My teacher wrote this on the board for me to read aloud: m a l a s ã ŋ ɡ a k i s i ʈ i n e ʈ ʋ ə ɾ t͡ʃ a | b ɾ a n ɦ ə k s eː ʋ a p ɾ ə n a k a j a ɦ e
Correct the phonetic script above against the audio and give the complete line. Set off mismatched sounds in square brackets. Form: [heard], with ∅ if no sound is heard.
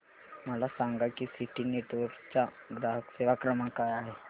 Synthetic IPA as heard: m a l a s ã ŋ ɡ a k i s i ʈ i n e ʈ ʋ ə ɾ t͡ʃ a | [ɡ] ɾ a [∅] ɦ ə k s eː ʋ a [k] ɾ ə [m] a k a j a ɦ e